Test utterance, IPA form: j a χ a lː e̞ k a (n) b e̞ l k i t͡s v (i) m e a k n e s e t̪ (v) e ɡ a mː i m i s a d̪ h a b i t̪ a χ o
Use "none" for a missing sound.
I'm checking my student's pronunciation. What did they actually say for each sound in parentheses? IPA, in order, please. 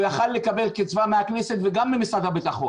none, a, v

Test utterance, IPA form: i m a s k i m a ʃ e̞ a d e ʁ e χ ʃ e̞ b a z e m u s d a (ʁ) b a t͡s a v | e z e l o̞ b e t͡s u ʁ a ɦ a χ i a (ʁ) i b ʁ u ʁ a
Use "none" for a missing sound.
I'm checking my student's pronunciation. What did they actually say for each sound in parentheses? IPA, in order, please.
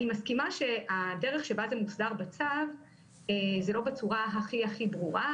ʁ, χ

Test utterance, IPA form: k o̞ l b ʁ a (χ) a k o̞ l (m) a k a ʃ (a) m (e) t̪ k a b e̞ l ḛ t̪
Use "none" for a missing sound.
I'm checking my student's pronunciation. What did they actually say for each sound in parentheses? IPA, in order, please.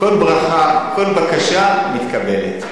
χ, b, a, i

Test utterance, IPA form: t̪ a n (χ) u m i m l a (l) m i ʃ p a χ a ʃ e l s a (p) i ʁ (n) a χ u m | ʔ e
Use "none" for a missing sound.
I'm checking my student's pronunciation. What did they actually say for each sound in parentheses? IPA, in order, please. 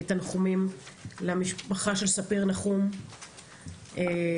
χ, none, p, n

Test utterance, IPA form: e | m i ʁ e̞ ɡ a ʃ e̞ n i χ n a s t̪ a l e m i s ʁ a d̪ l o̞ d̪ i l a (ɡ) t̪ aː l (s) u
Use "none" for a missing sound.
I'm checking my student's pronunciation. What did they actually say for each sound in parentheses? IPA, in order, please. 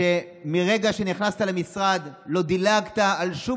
ɡ, ʃ

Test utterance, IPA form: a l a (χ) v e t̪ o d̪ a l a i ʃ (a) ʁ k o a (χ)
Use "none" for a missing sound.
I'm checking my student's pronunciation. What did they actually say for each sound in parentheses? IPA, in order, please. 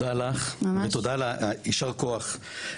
χ, a, χ

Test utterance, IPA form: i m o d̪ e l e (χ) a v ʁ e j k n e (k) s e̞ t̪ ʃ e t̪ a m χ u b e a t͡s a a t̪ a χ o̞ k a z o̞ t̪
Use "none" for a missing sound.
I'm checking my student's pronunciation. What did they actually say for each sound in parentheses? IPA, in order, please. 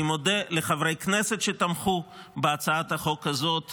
χ, none

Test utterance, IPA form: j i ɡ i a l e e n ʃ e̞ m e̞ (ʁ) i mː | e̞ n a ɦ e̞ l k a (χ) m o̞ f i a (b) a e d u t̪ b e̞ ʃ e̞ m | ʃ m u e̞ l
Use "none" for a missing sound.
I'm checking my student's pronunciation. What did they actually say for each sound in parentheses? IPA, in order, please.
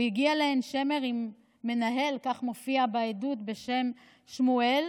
ʁ, χ, b

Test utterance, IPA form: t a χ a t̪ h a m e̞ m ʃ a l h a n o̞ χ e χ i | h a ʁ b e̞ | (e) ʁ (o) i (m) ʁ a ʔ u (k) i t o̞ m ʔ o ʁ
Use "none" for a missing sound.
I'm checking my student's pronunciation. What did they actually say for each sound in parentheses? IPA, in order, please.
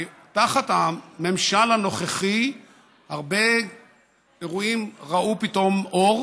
e, u, m, p

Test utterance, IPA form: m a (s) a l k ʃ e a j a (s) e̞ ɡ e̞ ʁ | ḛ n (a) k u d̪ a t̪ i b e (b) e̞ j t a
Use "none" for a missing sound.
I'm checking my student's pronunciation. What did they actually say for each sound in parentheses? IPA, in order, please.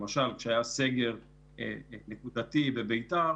ʃ, s, e, b

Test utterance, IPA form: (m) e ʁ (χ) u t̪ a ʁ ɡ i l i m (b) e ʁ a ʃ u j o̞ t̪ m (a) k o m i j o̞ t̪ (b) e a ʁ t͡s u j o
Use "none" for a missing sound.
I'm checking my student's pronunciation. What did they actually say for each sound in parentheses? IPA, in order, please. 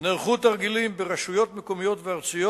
n, χ, b, e, v

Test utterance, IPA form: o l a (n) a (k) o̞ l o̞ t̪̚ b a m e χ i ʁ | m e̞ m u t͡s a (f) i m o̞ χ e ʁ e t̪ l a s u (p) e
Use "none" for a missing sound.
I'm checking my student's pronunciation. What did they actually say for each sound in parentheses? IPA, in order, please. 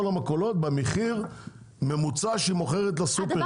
m, k, ʃ, p

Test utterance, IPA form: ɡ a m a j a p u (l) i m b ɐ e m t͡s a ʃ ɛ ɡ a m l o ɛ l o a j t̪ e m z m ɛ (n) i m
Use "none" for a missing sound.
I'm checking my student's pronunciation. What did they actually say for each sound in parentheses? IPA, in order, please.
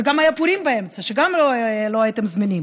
ɾ, n

